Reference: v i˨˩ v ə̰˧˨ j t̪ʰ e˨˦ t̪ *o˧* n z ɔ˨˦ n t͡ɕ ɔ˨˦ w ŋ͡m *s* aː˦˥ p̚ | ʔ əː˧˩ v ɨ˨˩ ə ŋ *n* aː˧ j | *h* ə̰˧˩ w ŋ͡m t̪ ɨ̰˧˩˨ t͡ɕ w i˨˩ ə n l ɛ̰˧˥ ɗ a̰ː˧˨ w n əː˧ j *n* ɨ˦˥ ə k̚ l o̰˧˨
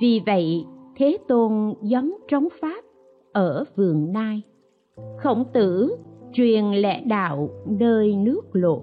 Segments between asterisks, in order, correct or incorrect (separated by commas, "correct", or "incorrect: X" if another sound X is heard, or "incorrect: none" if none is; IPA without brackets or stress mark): correct, incorrect: f, correct, incorrect: x, correct